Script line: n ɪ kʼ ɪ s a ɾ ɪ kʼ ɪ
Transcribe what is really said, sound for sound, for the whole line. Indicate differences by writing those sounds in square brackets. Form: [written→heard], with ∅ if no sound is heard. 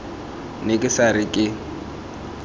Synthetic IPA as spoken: n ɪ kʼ ɪ s a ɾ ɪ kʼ ɪ